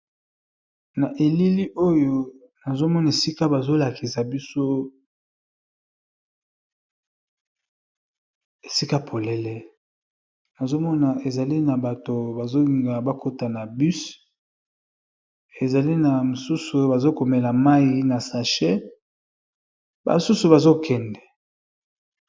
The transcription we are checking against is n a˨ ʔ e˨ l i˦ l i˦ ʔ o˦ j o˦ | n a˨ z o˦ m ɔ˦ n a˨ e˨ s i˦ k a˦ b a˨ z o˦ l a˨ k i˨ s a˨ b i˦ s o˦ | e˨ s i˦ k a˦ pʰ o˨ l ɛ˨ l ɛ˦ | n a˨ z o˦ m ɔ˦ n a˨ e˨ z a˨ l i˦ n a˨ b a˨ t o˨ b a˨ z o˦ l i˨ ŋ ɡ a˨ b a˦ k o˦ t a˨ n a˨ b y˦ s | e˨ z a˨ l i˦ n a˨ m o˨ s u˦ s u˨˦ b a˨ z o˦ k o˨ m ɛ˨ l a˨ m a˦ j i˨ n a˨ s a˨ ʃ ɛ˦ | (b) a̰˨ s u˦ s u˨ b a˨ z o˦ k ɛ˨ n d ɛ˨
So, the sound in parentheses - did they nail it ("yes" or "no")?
yes